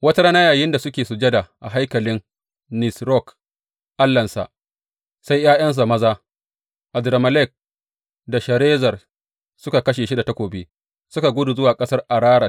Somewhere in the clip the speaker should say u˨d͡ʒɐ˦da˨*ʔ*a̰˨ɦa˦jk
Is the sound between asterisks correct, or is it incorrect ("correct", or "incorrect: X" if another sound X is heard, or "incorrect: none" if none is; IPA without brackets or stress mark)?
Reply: correct